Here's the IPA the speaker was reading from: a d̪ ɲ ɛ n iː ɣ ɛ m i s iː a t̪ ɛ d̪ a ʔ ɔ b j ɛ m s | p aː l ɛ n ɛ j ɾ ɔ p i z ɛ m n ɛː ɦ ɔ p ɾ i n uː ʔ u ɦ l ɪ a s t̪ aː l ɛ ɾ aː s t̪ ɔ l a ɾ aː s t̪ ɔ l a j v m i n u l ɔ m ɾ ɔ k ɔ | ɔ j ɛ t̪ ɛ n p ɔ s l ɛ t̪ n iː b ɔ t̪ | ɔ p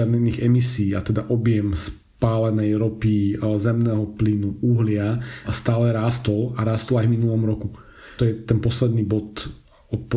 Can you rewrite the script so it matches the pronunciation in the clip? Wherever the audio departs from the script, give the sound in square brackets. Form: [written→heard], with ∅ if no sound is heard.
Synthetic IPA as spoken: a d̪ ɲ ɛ n iː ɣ ɛ m i s iː a t̪ ɛ d̪ a ʔ ɔ b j ɛ m s | p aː l ɛ n ɛ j ɾ ɔ p i z ɛ m n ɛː ɦ ɔ p [ɾ→l] i n [uː→u] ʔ u ɦ l ɪ a s t̪ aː l ɛ ɾ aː s t̪ ɔ l a ɾ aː s t̪ ɔ l a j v m i n u l ɔ m ɾ ɔ k [ɔ→u] | ɔ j ɛ t̪ ɛ n p ɔ s l ɛ [t̪→d̪] n iː b ɔ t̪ | ɔ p